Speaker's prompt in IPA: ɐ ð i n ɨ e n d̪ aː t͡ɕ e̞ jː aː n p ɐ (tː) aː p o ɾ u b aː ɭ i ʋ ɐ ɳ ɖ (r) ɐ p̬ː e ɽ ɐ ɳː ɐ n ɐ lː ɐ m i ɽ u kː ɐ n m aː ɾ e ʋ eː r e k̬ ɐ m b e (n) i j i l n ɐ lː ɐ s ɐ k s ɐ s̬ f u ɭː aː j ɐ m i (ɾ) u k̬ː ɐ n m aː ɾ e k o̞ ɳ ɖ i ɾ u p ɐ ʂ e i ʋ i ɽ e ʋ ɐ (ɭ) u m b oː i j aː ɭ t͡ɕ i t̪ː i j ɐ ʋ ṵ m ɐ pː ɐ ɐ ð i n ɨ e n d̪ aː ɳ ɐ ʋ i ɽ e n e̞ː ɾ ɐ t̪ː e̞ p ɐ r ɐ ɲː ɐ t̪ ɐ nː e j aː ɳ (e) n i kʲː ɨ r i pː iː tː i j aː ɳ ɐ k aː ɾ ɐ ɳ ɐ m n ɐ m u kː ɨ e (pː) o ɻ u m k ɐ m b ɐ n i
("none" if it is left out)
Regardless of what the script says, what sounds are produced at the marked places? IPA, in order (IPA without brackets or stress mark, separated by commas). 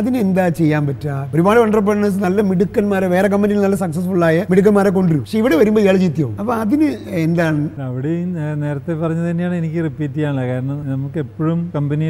tː, r, n, ɽ, ɾ, e, pː